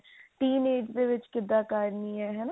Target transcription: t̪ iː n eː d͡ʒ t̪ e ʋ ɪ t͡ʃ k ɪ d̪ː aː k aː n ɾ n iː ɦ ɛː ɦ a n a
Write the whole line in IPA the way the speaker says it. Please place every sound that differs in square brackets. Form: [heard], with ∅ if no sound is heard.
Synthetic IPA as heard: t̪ iː n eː d͡ʒ [d̪] e ʋ ɪ t͡ʃ k ɪ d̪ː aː k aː [∅] ɾ n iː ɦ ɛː ɦ [ɛ] n a